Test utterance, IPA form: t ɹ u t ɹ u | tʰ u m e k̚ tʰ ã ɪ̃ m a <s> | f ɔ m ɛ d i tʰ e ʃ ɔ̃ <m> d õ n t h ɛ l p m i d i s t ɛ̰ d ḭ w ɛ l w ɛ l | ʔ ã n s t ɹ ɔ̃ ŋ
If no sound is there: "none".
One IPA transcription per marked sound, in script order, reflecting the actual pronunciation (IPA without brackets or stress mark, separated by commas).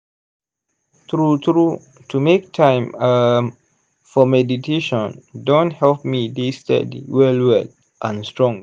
none, n